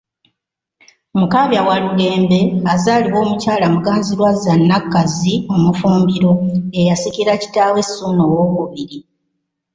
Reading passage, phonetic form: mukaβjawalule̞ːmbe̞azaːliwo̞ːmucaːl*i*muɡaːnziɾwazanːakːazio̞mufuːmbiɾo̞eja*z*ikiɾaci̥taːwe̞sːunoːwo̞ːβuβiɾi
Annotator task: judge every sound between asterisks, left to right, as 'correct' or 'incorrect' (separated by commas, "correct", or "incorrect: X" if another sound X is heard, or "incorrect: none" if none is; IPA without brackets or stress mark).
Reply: incorrect: a, incorrect: s